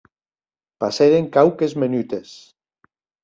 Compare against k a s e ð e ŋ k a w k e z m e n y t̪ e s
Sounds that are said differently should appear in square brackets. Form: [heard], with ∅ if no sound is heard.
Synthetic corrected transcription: [p] a s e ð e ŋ k a w k e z m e n y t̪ e s